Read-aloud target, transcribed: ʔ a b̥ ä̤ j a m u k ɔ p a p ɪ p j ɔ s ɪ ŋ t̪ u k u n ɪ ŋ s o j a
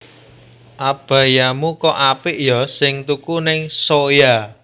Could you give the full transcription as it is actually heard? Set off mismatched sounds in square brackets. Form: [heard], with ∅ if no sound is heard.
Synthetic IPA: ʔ a b̥ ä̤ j a m u k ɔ [ʔ] a p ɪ [ʔ] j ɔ s ɪ ŋ t̪ u k u n ɪ ŋ s o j a